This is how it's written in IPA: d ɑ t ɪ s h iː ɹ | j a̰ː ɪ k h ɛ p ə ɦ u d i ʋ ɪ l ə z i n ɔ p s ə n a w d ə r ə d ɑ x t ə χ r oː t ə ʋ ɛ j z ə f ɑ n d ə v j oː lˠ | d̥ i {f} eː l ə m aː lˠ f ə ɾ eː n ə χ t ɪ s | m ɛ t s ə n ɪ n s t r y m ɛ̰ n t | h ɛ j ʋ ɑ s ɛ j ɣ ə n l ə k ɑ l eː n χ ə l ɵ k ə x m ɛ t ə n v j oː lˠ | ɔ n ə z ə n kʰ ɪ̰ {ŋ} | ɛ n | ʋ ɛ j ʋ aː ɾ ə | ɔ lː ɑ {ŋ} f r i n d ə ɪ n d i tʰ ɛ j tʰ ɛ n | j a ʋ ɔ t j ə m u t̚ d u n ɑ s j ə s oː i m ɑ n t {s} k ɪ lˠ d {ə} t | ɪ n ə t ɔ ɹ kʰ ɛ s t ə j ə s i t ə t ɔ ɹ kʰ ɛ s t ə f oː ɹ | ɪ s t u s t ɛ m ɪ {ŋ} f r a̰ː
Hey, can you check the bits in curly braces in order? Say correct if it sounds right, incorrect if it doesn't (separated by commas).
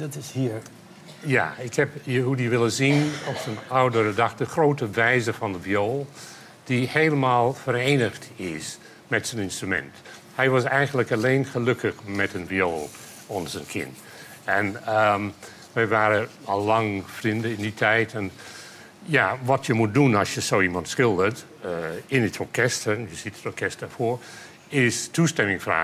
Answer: incorrect, incorrect, correct, correct, correct, correct